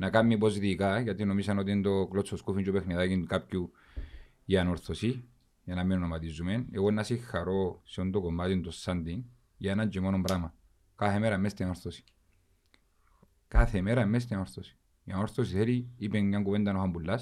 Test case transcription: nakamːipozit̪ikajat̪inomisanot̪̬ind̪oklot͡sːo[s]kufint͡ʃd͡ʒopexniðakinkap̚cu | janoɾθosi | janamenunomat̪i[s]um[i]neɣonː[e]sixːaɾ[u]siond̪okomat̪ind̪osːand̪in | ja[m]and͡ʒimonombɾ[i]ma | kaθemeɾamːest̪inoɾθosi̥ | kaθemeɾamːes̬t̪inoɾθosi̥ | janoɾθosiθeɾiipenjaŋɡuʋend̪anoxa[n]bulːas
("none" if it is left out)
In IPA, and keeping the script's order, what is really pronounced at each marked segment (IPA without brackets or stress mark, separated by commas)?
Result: s, z, e, a, o, n, a, m